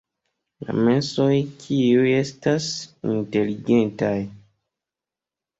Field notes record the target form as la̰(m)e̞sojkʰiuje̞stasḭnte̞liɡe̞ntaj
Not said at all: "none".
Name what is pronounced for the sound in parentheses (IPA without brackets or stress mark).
m